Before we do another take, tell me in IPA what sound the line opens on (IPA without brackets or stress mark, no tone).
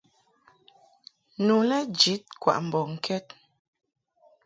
n